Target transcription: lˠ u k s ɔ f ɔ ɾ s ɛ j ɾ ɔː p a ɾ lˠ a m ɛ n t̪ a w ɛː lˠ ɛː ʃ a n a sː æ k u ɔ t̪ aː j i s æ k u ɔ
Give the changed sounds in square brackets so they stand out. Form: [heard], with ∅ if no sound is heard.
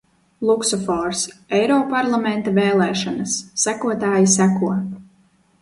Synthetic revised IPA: lˠ u k s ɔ f ɔ ɾ s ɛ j ɾ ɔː p a ɾ lˠ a m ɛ n t̪ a [v] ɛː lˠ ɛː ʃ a n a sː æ k u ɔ t̪ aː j i s æ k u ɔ